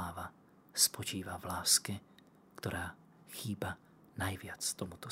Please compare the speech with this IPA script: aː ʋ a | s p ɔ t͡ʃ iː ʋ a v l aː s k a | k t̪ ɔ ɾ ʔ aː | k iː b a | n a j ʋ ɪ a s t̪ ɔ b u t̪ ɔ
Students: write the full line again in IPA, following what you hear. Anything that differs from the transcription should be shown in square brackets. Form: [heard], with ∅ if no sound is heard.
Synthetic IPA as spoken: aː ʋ a | s p ɔ t͡ʃ iː ʋ a v l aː s k [ɛ] | k t̪ ɔ ɾ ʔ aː | [x] iː b a | n a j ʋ ɪ a [t͡s] t̪ ɔ [m] u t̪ ɔ